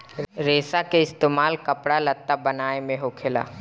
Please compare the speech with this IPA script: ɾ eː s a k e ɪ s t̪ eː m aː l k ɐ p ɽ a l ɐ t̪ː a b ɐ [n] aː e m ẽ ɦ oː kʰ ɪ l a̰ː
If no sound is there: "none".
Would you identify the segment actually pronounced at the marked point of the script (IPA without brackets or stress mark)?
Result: n